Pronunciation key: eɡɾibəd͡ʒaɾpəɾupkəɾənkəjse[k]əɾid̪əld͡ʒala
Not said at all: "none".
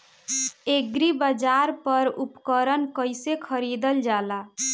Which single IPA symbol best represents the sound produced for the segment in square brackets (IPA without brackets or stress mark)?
kʰ